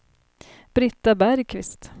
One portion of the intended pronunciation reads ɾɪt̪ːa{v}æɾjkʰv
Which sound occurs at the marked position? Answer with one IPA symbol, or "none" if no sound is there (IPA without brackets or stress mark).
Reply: b